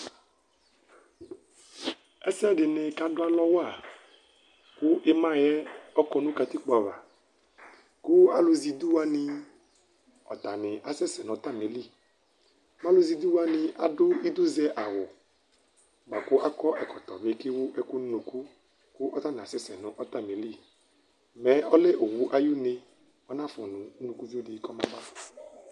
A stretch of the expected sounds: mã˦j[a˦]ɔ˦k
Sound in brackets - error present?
yes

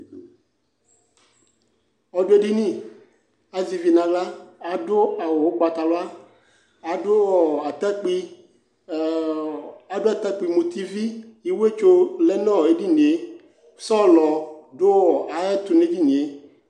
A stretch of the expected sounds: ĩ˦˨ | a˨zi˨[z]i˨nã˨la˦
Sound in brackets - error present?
yes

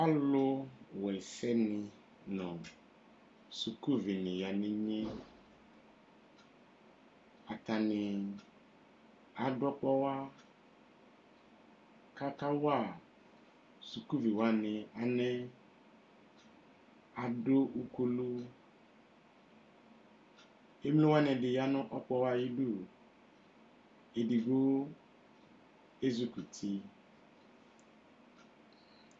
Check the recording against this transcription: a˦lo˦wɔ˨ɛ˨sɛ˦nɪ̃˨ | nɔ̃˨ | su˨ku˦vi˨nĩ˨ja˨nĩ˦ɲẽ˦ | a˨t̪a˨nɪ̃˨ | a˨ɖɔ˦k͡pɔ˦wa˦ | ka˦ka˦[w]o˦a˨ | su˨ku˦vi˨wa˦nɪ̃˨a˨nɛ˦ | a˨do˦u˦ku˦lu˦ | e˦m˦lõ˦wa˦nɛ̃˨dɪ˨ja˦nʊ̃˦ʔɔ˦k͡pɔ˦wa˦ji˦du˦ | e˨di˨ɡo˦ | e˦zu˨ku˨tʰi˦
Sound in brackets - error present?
no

